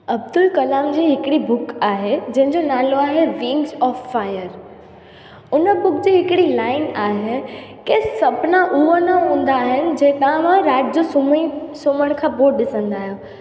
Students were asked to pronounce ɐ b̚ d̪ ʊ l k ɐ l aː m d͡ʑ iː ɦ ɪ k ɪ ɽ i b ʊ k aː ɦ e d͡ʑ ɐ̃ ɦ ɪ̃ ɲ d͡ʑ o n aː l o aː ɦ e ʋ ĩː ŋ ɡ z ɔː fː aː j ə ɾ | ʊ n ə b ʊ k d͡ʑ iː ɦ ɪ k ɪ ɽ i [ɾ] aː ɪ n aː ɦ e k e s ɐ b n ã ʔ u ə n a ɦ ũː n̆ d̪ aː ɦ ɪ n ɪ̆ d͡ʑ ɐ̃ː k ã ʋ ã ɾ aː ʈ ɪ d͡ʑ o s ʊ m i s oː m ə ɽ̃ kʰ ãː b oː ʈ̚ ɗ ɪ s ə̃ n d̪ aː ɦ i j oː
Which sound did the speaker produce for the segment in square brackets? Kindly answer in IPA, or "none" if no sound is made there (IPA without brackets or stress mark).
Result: l